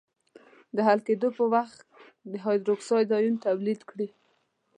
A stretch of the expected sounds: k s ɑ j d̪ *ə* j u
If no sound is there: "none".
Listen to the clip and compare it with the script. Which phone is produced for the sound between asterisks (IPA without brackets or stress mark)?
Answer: ɑ